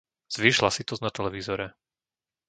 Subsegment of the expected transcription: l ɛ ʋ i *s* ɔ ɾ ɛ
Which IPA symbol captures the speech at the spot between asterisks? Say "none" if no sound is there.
z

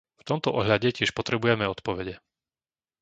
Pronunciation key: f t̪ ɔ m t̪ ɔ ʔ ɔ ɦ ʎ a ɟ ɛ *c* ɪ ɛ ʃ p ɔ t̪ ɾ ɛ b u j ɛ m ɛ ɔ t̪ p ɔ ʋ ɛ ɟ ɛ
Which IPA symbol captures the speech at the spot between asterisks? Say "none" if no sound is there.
c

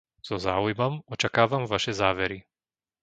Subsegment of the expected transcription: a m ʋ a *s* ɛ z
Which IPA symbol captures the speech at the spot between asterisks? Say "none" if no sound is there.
ʃ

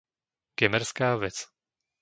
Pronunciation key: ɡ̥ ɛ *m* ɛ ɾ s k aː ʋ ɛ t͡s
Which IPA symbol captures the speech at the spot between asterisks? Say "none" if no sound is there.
m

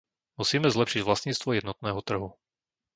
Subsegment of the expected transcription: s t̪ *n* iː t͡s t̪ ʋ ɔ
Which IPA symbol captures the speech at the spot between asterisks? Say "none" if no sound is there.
ɲ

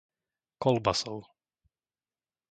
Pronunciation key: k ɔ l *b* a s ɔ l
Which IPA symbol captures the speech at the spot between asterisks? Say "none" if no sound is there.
b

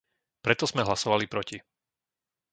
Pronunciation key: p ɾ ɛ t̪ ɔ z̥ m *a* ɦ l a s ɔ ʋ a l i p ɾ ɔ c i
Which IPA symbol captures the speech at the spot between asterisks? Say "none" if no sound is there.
ɛ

